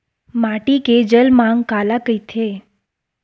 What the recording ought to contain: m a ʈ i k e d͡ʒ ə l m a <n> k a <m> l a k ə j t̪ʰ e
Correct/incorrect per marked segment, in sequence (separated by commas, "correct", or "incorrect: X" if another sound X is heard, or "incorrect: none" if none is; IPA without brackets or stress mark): incorrect: ŋ, incorrect: none